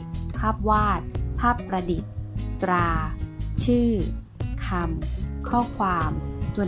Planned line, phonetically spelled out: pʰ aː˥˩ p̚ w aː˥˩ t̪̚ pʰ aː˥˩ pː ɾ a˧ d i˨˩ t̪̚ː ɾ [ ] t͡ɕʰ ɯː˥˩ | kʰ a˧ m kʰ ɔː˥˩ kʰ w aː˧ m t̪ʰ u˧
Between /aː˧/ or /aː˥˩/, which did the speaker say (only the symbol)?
aː˧